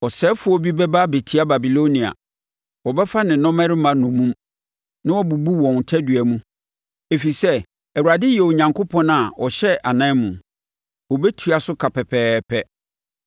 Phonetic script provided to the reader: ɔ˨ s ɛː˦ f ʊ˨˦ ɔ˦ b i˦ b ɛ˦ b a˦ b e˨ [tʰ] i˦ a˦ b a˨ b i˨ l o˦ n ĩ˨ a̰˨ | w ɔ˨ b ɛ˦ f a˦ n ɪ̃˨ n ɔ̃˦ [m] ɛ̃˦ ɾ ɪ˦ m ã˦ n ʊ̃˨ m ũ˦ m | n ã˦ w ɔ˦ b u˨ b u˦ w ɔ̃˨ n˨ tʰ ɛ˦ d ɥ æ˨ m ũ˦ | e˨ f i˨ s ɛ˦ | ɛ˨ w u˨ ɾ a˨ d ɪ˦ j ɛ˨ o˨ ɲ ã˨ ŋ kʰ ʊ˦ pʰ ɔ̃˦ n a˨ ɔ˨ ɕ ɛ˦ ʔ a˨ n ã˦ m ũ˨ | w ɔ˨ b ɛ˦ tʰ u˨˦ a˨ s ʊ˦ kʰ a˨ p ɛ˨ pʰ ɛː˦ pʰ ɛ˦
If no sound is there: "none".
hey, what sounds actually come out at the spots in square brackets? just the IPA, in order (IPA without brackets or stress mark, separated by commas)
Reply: tʰ, m